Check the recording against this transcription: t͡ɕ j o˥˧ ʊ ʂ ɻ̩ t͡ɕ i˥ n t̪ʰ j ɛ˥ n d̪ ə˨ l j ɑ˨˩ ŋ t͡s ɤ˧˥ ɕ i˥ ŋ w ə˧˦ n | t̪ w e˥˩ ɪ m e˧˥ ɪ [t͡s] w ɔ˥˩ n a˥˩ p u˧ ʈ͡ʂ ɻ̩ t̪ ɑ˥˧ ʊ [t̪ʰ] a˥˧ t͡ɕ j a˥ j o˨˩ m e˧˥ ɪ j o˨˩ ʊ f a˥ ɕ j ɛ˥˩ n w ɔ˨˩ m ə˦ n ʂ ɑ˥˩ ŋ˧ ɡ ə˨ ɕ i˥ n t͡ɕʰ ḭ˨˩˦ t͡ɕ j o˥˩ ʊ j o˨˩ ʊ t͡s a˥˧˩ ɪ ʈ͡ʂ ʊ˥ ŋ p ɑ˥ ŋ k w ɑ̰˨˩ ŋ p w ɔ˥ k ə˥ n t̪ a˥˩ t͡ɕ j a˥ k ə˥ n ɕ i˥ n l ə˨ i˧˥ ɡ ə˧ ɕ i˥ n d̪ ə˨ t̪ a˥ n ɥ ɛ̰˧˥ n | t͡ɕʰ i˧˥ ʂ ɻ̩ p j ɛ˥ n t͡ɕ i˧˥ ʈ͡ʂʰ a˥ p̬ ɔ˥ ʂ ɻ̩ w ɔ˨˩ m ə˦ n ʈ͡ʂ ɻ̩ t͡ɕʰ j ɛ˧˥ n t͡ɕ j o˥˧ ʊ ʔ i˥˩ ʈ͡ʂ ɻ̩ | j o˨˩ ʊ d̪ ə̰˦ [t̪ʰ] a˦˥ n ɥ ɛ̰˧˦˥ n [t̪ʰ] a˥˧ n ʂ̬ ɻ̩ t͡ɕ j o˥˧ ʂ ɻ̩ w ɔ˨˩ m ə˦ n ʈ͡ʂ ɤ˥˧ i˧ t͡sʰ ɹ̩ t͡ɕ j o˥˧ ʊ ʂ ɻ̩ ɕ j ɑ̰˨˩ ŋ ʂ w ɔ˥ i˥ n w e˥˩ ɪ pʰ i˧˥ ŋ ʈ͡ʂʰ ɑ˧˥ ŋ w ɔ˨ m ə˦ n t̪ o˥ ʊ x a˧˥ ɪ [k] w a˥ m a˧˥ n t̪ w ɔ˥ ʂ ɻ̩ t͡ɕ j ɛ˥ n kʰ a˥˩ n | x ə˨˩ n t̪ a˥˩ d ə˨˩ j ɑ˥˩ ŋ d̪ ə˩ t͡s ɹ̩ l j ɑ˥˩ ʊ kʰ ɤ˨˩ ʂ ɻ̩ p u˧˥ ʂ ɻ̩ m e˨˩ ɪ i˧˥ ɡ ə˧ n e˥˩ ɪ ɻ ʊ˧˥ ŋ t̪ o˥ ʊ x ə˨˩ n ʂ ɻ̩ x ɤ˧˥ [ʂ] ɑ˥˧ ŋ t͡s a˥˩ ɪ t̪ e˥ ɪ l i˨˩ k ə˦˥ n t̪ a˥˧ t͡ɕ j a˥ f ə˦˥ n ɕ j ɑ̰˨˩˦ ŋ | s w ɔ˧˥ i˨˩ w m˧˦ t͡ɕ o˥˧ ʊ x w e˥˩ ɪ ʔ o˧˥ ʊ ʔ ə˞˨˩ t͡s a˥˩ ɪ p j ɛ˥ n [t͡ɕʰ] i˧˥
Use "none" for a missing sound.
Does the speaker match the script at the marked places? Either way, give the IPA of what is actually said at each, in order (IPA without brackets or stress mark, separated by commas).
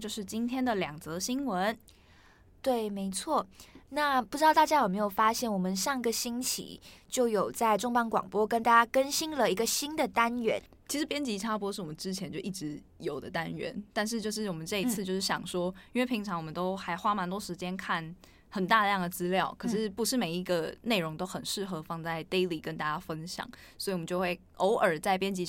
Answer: t͡sʰ, t̪, t̪, t̪, x, f, t͡ɕ